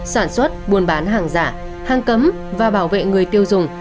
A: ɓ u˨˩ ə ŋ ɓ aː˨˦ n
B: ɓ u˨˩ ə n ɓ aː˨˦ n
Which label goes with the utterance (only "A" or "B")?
B